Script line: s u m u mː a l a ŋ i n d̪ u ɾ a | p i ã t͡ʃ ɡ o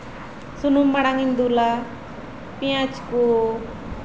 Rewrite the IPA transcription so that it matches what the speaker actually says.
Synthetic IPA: s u n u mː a ɽ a ŋ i n d̪ u l a | p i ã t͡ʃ k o